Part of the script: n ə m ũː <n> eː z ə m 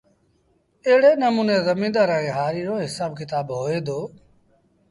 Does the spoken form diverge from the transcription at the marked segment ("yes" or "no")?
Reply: no